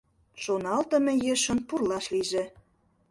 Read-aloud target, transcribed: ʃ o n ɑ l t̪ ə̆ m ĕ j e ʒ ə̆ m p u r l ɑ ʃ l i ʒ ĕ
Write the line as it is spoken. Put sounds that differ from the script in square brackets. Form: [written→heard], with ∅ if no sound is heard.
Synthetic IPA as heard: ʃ o n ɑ l t̪ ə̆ m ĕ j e [ʒ→ʃ] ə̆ [m→n] p u r l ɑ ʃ l i ʒ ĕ